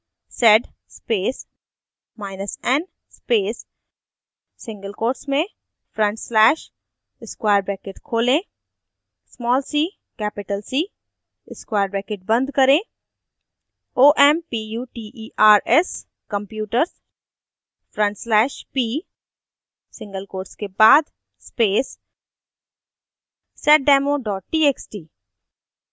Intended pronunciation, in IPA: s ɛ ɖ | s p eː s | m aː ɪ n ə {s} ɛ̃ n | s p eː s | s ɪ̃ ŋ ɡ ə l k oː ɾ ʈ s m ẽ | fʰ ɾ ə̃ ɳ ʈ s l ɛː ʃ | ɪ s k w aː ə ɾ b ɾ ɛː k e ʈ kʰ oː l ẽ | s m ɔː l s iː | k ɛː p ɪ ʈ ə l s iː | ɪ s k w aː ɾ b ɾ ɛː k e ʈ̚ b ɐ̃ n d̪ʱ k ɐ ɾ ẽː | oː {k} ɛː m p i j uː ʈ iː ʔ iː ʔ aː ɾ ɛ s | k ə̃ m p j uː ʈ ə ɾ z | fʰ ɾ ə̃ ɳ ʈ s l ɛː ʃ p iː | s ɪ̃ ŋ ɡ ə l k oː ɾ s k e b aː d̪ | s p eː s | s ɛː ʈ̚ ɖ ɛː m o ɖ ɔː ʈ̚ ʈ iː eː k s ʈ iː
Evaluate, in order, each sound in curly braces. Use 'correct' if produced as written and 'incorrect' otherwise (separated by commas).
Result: correct, incorrect